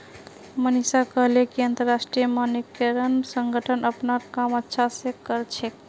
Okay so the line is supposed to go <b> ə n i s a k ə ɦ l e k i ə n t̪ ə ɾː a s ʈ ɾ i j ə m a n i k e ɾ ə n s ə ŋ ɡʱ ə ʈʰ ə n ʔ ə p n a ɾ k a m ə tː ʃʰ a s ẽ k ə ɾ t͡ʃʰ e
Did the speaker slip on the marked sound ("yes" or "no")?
yes